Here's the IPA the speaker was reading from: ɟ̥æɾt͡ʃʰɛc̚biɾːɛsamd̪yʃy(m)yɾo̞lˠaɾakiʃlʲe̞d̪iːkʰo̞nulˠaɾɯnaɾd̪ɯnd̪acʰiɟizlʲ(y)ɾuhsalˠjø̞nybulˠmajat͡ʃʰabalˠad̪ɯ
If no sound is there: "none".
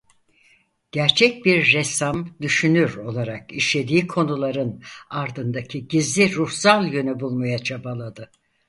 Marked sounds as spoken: n, i

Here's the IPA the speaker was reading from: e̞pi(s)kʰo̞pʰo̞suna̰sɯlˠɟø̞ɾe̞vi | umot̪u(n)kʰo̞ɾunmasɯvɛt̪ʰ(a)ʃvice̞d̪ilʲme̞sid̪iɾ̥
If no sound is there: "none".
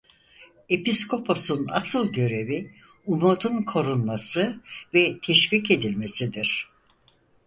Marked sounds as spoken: s, n, ɛ

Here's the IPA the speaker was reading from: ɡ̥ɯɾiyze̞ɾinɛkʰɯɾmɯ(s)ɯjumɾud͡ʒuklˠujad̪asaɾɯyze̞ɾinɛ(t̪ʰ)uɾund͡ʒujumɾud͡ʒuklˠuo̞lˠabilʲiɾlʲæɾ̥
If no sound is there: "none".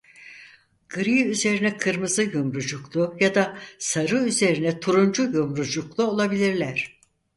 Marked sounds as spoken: z, t̪ʰ

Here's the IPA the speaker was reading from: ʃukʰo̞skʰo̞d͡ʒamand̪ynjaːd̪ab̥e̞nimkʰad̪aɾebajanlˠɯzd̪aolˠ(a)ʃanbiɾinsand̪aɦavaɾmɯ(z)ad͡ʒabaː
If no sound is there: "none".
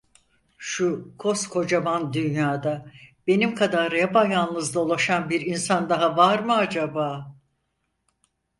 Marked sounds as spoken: a, none

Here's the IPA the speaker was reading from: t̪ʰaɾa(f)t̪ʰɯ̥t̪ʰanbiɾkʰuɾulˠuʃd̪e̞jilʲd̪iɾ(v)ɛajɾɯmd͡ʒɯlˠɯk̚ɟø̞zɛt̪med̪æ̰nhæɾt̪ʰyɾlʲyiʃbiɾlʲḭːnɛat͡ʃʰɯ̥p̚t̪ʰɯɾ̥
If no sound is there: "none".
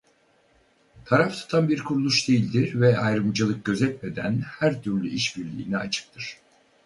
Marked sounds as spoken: f, v

